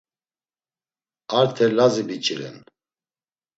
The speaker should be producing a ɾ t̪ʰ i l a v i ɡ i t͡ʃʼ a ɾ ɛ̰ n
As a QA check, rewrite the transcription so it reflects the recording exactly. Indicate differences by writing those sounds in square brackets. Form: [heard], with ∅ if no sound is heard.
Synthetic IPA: a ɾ t̪ʰ [ɛ] l a [z] i [b] i t͡ʃʼ [i] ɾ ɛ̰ n